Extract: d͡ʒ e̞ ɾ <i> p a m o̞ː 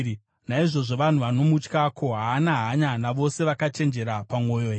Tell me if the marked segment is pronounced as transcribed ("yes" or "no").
no